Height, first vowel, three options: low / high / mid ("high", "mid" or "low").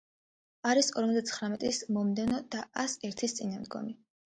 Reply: low